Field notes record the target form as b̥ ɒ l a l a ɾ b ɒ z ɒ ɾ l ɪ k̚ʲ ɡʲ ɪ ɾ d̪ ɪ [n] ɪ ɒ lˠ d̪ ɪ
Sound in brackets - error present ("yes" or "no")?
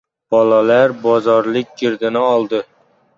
no